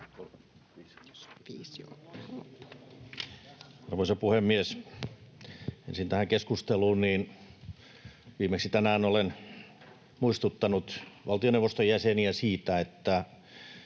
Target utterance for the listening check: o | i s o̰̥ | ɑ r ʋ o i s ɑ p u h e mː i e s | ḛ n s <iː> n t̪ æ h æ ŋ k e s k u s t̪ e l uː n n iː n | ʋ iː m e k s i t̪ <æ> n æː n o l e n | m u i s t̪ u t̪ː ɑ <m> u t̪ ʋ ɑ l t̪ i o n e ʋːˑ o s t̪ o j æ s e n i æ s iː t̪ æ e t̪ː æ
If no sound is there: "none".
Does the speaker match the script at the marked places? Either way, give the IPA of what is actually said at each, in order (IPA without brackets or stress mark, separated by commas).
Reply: i, æ, n